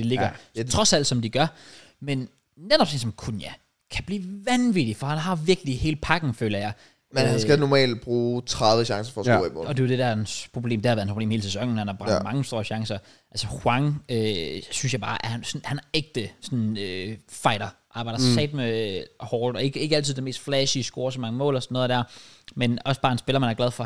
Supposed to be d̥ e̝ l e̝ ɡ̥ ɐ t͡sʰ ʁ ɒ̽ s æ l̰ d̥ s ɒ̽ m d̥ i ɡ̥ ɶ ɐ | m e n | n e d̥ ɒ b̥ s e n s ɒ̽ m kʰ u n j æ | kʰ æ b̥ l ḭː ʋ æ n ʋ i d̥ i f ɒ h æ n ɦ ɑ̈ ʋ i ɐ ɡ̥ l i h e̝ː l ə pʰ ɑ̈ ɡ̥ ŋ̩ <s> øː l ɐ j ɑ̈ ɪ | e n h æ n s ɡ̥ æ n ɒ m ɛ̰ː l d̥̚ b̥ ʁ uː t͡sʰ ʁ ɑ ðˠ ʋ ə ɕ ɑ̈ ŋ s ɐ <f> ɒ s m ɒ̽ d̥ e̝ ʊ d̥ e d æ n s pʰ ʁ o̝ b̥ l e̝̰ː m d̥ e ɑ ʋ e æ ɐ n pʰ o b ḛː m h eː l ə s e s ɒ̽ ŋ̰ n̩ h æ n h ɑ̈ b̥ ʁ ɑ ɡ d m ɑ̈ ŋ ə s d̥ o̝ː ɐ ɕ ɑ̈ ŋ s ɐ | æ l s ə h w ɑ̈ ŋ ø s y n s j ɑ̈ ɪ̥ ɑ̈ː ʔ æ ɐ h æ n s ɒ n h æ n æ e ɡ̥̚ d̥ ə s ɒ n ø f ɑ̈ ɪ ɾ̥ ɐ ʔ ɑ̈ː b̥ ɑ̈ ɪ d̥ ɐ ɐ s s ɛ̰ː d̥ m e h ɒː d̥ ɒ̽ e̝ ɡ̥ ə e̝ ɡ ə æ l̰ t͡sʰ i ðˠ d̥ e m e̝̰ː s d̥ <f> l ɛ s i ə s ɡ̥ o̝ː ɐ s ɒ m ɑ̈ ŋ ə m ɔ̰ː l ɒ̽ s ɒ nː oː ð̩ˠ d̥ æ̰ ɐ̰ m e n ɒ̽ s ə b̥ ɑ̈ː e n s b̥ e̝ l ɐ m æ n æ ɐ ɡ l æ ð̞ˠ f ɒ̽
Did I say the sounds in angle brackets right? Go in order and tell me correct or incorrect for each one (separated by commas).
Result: incorrect, correct, correct